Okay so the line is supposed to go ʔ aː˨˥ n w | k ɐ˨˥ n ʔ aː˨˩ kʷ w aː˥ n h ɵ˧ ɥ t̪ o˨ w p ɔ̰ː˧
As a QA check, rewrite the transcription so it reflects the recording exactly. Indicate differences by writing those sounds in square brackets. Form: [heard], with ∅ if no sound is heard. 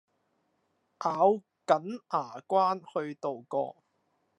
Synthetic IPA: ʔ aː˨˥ [∅] w | k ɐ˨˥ n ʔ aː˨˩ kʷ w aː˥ n h ɵ˧ ɥ t̪ o˨ w [k] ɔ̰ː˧

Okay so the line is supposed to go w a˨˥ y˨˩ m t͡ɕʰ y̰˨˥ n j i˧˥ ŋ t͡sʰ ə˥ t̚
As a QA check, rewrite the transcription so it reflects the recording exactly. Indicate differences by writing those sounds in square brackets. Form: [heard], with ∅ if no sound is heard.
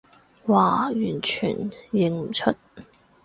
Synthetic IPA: w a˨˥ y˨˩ [n] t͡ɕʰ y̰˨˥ n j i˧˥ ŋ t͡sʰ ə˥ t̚

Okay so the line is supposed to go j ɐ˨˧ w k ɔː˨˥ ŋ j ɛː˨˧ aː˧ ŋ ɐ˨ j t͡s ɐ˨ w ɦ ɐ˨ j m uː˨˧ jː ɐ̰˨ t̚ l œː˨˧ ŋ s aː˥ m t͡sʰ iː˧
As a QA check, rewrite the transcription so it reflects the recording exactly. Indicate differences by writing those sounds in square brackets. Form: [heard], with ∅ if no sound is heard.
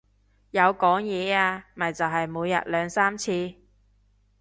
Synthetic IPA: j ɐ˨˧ w k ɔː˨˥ ŋ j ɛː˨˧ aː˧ [m] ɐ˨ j t͡s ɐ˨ w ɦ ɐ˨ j m uː˨˧ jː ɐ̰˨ t̚ l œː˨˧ ŋ s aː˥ m t͡sʰ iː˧

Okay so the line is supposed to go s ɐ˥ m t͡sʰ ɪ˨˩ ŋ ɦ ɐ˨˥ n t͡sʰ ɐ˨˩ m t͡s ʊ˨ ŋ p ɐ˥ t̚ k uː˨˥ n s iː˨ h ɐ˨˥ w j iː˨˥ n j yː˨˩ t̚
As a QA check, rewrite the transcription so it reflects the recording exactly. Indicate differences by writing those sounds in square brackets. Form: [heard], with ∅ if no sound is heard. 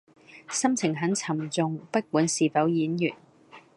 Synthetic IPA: s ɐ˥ m t͡sʰ ɪ˨˩ ŋ ɦ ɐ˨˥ n t͡sʰ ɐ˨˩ m t͡s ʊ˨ ŋ p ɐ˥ t̚ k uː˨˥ n s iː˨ [f] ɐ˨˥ w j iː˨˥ n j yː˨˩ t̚

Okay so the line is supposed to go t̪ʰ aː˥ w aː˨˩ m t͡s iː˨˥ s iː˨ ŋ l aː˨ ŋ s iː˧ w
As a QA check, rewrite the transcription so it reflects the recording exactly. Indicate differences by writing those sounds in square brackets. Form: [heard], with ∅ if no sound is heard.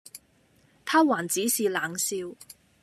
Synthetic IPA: t̪ʰ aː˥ w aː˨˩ [n] t͡s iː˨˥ s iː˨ [∅] l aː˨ ŋ s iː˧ w

